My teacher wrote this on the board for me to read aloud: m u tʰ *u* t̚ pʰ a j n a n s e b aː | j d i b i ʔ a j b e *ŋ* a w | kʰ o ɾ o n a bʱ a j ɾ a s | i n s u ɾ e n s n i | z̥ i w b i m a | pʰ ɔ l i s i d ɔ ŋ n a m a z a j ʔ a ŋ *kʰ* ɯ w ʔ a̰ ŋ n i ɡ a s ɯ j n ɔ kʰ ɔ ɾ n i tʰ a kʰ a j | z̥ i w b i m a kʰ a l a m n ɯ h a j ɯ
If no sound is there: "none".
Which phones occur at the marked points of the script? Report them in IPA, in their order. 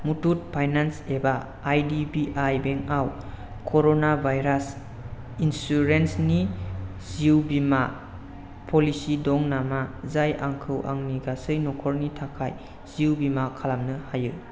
u, ŋ, kʰ

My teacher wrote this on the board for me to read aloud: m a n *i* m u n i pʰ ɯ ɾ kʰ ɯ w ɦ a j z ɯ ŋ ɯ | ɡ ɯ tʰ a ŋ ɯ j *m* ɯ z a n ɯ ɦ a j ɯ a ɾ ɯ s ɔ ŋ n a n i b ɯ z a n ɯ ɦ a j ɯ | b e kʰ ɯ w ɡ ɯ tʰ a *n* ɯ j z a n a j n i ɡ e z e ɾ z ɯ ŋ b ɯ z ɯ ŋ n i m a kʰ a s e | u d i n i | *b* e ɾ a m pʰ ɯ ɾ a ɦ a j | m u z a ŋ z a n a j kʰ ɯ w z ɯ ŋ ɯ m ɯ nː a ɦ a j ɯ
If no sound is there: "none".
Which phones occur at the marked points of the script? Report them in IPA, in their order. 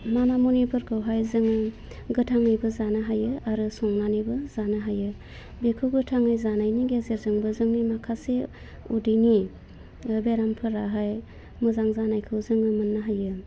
a, b, ŋ, b

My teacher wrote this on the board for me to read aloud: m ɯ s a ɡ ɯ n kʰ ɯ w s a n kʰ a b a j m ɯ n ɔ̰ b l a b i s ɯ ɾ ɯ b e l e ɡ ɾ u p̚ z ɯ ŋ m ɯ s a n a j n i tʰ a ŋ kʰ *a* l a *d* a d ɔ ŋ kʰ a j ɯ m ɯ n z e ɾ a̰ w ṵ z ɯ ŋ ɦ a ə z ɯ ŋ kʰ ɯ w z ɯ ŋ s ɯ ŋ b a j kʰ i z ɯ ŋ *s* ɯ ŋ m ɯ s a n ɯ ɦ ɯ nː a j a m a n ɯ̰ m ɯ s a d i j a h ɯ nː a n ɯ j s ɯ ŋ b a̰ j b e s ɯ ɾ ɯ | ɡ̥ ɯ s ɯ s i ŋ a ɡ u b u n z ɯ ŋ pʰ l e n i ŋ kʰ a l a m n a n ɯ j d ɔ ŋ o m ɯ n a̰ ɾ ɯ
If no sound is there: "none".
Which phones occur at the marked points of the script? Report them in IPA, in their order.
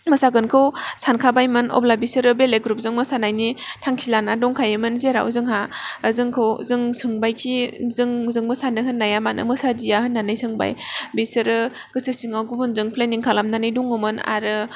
i, n, z

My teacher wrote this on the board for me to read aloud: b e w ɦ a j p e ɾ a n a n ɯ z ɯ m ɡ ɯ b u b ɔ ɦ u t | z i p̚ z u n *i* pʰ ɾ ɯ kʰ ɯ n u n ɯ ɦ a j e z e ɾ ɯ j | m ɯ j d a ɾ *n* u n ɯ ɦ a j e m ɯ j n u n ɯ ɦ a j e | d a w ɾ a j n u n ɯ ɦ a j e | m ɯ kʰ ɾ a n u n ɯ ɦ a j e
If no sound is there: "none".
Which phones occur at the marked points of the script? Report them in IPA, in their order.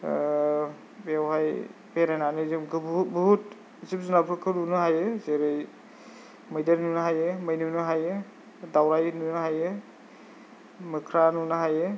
a, n

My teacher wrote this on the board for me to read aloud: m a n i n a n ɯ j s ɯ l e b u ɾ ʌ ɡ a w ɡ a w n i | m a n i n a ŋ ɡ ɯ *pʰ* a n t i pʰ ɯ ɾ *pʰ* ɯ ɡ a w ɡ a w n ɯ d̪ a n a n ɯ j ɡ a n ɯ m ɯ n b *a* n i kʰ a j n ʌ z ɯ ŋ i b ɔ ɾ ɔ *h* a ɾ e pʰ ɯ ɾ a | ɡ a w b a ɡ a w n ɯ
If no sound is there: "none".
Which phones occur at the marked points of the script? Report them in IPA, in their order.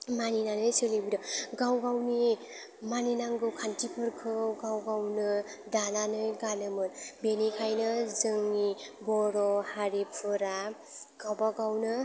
kʰ, kʰ, e, h

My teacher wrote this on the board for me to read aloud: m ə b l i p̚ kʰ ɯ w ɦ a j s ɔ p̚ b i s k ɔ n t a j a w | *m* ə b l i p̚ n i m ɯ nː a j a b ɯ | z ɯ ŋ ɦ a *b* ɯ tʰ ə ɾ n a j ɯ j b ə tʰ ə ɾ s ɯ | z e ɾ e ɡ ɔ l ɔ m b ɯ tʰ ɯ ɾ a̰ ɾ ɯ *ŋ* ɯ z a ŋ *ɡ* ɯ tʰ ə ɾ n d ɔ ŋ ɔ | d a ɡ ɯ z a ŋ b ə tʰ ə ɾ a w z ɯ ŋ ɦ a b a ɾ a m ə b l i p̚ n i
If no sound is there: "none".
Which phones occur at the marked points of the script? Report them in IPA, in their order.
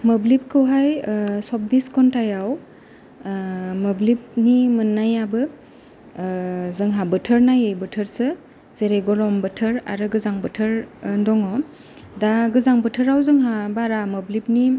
m, b, ɡ, b

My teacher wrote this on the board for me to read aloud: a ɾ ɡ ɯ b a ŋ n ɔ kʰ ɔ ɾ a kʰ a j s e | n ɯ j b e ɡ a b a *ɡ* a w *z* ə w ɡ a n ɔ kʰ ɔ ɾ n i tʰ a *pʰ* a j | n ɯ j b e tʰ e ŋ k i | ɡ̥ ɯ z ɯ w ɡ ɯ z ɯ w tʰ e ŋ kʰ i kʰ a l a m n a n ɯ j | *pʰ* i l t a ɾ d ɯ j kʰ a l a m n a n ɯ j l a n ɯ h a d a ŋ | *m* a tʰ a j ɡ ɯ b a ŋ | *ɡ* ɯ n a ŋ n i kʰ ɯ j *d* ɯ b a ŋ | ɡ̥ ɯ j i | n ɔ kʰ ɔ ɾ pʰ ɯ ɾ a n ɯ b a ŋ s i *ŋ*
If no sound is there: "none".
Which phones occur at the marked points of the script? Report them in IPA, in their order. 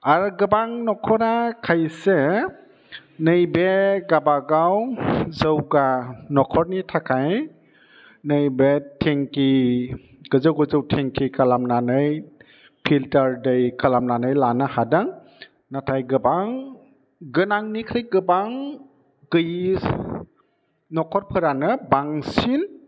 ɡ, z, kʰ, pʰ, n, ɡ, ɡ, n

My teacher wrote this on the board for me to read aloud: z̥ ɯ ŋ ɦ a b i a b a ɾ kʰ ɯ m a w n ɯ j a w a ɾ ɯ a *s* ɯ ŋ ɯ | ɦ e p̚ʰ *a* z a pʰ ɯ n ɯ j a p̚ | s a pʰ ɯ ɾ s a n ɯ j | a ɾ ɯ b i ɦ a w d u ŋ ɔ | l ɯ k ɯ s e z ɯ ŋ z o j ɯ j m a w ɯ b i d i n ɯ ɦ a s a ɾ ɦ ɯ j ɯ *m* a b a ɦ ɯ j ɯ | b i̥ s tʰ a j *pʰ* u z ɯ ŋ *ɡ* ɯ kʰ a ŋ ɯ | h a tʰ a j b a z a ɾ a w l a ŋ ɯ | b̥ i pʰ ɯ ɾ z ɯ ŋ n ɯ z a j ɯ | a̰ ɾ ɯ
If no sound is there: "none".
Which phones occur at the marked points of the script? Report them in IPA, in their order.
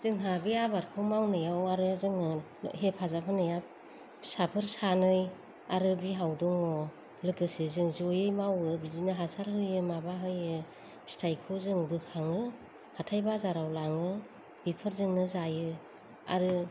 z, a, m, kʰ, b

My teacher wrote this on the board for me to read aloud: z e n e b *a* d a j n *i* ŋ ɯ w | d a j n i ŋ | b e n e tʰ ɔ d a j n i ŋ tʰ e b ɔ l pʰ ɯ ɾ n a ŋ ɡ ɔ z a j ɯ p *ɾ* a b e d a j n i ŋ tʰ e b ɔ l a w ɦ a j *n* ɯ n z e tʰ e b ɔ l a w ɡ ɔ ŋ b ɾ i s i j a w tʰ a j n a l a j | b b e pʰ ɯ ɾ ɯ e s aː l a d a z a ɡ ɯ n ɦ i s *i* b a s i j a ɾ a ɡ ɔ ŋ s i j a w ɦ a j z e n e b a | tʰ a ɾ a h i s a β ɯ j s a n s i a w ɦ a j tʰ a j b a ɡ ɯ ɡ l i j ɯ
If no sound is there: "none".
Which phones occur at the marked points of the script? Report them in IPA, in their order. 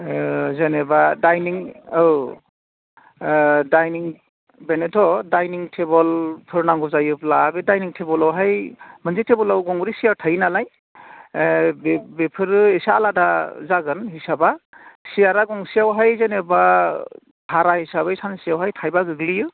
a, i, l, m, a

